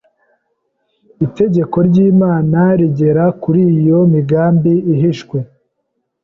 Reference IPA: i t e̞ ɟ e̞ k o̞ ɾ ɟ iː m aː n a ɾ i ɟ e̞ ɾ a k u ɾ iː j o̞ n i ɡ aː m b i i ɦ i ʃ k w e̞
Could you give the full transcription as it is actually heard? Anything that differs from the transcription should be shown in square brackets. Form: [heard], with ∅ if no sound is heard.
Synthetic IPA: i t e̞ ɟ e̞ k o̞ ɾ ɟ iː m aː n a ɾ i ɟ e̞ ɾ a k u ɾ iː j o̞ [m] i ɡ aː m b i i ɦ i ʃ k w e̞